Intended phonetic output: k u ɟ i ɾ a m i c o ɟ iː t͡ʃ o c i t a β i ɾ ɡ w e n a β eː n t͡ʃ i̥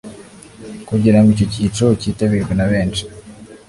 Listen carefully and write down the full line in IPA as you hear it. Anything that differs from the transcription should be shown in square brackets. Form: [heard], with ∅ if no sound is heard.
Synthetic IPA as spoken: k u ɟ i ɾ a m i c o [c] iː t͡ʃ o c i t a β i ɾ ɡ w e n a β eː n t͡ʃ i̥